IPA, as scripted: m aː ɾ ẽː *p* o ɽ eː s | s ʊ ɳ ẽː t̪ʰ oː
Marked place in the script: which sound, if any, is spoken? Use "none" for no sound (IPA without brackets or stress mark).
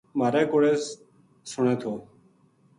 k